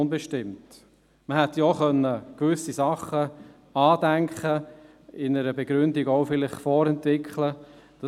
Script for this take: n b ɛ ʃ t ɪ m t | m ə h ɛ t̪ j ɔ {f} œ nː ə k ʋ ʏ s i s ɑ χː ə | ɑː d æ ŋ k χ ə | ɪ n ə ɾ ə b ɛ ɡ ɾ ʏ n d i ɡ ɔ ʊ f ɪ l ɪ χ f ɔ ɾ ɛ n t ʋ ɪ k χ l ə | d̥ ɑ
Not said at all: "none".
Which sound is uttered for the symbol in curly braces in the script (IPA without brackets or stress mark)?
χ